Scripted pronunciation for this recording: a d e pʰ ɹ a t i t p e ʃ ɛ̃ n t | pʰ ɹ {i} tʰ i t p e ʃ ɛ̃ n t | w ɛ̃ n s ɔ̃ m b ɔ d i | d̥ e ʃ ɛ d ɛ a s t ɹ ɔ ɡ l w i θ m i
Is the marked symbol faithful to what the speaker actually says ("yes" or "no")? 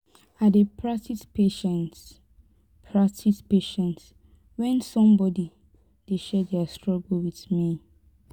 no